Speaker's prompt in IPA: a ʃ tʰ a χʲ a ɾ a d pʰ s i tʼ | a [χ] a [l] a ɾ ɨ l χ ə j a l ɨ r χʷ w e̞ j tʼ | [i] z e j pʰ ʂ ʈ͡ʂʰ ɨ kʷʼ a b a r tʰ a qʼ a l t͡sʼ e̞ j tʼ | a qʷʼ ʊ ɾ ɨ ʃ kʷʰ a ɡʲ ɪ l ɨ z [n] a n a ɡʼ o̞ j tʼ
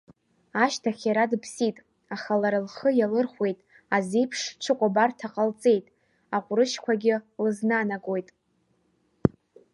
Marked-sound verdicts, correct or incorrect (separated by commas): correct, correct, incorrect, correct